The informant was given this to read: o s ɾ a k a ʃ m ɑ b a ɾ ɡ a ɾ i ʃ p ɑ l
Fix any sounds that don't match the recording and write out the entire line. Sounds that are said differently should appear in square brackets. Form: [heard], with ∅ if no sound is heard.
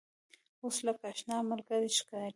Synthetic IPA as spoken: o s [l] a k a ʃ [n] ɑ [m] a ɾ ɡ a ɾ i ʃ [k] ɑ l